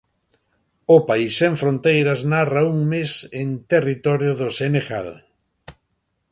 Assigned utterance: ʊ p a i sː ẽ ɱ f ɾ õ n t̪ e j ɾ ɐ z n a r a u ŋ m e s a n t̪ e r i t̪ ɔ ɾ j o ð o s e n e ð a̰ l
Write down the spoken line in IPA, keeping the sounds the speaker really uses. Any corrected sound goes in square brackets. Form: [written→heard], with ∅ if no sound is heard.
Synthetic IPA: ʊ p a i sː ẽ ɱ f ɾ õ n t̪ e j ɾ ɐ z n a r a u ŋ m e s [a→e] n t̪ e r i t̪ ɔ ɾ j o ð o s e n e [ð→ɣ] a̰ l